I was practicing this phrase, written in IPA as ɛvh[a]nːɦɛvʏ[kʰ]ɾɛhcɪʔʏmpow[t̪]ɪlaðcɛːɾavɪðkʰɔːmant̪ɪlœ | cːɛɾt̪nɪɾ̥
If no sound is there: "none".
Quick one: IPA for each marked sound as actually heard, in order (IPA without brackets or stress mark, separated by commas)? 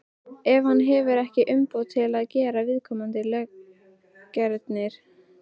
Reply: a, none, t̪ʰ